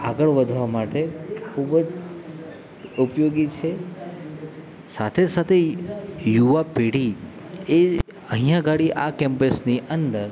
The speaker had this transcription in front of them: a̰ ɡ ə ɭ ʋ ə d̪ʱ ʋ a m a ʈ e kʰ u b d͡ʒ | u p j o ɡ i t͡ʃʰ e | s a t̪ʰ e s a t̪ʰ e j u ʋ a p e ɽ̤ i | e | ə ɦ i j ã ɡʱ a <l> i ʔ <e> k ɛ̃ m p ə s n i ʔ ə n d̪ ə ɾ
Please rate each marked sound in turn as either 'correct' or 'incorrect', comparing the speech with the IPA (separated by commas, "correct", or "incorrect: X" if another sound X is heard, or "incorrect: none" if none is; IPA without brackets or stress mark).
incorrect: ɽ, incorrect: a